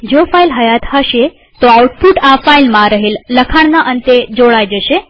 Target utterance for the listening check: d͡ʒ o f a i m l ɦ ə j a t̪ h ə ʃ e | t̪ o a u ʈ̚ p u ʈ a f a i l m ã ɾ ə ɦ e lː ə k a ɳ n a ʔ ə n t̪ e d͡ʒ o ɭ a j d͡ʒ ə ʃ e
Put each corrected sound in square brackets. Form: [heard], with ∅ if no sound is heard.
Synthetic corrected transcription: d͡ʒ o f a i [∅] l ɦ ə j a t̪ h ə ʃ e | t̪ o a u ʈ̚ p u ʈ a f a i l m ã ɾ ə ɦ e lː ə [kʰ] a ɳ n a ʔ ə n t̪ e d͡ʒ o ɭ a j d͡ʒ ə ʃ e